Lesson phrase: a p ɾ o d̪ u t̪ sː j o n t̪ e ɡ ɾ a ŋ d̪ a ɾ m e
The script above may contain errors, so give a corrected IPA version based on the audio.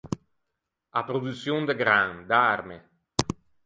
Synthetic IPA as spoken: a p ɾ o d̪ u t̪ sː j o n d̪ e ɡ ɾ a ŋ d̪ a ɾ m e